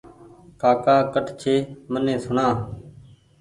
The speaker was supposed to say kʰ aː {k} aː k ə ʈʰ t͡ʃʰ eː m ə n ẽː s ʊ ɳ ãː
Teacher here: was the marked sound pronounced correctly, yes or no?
yes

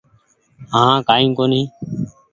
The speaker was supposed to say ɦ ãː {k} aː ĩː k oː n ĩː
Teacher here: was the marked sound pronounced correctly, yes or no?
yes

